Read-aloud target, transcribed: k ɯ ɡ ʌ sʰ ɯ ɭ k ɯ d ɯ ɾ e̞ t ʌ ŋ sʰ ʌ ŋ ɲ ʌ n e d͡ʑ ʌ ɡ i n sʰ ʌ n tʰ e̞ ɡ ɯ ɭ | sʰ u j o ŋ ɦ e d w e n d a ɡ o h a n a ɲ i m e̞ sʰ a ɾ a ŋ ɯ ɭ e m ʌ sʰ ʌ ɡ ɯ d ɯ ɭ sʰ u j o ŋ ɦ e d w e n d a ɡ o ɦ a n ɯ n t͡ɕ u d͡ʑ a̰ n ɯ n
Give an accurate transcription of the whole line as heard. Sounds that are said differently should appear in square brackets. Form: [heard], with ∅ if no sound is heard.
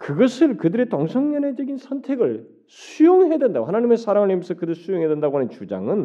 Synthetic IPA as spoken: k ɯ ɡ ʌ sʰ ɯ ɭ k ɯ d ɯ ɾ e̞ t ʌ ŋ sʰ ʌ ŋ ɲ ʌ n e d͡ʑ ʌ ɡ i n sʰ ʌ n tʰ e̞ ɡ ɯ ɭ | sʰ u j o ŋ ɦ e d w e n d a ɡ o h a n a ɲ i m e̞ sʰ a ɾ a ŋ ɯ ɭ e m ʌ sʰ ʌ [k] ɯ d ɯ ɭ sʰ u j o ŋ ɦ e d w e n d a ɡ o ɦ a n ɯ n t͡ɕ u d͡ʑ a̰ [ŋ] ɯ n